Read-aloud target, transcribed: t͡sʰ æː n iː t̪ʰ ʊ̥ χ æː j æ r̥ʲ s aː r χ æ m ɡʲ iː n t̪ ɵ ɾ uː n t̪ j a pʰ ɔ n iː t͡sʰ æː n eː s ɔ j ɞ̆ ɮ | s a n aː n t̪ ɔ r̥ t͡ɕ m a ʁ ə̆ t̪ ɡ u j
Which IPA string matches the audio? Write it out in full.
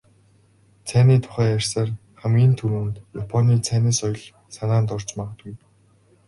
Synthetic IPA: t͡sʰ æː n iː t̪ʰ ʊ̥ χ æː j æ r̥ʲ s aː r χ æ m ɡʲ iː n t̪ʰ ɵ ɾ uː n t̪ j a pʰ ɔ n iː t͡sʰ æː n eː s ɔ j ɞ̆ ɮ | s a n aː n t̪ ɔ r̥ t͡ɕ m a ʁ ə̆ t̪ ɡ u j